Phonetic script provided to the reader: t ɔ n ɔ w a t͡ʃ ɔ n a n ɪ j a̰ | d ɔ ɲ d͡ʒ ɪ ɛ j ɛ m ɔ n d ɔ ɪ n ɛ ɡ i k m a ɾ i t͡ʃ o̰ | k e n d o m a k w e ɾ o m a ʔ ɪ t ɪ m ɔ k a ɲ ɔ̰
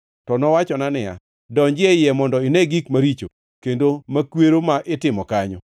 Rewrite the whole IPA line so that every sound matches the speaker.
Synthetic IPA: t ɔ n ɔ w a t͡ʃ ɔ n a n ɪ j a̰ | d ɔ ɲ d͡ʒ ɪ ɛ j ɛ m ɔ n d ɔ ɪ n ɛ ɡ i k m a ɾ i t͡ʃ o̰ | k e n d o m a k w e ɾ o m a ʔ ɪ t ɪ m ɔ k a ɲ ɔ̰